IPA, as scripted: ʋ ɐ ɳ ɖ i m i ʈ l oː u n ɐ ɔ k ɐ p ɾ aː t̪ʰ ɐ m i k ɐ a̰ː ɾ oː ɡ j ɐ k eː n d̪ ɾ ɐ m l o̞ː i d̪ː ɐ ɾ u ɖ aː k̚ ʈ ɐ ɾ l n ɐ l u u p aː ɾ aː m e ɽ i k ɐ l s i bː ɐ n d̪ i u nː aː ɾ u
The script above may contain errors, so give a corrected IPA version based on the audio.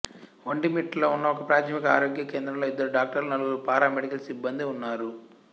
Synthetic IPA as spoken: ʋ ɐ ɳ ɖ i m i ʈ l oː u nː ɐ ɔ k ɐ p ɾ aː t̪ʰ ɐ m i k ɐ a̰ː ɾ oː ɡ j ɐ k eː n d̪ ɾ ɐ m l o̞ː i d̪ː ɐ ɾ u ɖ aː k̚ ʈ ɐ ɾ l n ɐ l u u p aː ɾ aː m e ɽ i k ɐ l s i bː ɐ n d̪ i u nː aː ɾ u